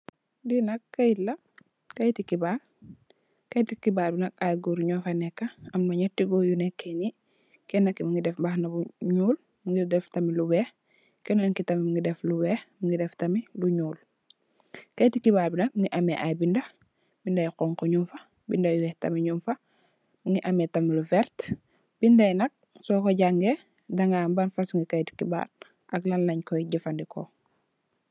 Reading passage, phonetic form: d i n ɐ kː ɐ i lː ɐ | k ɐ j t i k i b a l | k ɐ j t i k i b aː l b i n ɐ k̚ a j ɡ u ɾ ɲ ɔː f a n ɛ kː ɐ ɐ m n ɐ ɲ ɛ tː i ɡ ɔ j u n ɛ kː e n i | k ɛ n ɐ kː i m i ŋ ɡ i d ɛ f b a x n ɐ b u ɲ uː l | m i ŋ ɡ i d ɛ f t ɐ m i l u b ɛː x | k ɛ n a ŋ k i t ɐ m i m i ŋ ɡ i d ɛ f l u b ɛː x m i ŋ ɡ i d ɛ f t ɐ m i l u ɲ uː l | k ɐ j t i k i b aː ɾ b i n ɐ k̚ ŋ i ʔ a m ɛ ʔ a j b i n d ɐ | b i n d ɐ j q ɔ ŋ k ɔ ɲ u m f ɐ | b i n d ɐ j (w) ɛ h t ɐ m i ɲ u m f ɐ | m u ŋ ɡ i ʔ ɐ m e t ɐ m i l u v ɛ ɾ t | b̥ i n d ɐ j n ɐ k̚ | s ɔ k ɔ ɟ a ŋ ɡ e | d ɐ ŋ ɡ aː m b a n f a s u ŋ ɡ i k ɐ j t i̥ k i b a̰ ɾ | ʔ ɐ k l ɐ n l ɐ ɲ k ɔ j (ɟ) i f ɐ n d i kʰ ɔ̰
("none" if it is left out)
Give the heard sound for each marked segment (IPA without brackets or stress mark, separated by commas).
w, ɟ